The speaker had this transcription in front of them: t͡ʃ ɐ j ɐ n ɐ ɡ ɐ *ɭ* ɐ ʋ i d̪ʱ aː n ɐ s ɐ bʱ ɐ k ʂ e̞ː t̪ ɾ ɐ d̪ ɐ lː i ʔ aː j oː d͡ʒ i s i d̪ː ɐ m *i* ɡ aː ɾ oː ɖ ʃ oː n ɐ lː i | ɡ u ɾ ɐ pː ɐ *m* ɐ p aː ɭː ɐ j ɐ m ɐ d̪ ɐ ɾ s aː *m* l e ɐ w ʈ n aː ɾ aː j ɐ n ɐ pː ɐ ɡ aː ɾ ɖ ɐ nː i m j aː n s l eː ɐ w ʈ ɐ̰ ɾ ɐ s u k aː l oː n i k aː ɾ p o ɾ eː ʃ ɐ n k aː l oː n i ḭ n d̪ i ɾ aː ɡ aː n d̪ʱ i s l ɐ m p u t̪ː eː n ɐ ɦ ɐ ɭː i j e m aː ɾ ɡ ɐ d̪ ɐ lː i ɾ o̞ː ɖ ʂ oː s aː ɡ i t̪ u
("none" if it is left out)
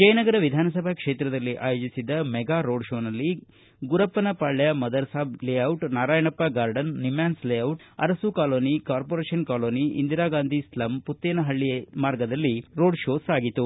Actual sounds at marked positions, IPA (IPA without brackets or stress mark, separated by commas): ɾ, ɛ, n, b